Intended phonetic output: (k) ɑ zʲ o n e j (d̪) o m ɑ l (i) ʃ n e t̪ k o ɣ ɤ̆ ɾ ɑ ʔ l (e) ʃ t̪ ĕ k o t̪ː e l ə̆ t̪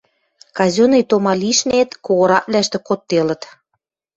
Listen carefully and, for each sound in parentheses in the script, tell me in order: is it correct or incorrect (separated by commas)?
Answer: correct, incorrect, correct, incorrect